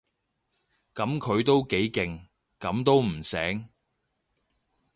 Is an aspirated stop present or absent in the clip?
present